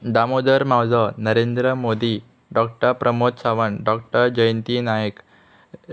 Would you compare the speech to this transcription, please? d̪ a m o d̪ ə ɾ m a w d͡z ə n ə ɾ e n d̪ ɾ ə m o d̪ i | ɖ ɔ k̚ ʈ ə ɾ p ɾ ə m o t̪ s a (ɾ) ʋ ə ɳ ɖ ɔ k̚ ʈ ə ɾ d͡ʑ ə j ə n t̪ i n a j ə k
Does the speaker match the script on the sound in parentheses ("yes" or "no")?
no